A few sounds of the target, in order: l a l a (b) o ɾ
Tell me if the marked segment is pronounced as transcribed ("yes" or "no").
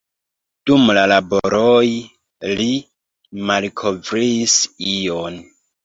yes